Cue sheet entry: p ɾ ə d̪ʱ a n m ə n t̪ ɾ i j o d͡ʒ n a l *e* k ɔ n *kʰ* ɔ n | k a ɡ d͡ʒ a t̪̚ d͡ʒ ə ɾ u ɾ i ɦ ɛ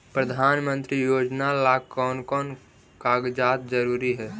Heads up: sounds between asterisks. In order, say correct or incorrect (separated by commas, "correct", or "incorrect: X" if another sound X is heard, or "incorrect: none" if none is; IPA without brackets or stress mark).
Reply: incorrect: a, incorrect: k